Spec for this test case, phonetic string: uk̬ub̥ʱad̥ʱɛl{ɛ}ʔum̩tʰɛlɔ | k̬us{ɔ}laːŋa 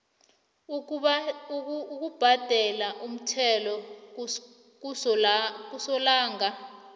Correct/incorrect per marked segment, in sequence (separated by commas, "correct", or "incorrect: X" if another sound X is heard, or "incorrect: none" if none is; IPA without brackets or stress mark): incorrect: a, correct